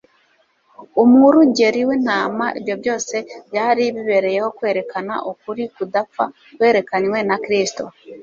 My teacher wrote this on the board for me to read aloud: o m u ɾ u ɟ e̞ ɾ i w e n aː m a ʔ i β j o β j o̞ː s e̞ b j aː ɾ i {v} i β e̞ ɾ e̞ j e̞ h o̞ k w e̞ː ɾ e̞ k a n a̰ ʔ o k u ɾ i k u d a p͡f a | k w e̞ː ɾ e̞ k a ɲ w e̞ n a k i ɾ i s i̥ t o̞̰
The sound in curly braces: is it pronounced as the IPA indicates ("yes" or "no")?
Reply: no